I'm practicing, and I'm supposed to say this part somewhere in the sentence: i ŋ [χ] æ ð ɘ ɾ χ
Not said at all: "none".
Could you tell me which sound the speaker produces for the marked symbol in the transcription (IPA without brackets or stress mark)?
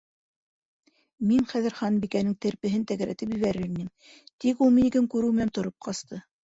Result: χ